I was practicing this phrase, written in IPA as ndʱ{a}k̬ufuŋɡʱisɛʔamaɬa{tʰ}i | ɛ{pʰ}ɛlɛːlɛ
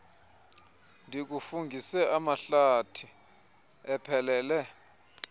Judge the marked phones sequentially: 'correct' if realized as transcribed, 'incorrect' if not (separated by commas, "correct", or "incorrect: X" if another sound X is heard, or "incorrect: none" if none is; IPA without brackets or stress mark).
incorrect: i, correct, correct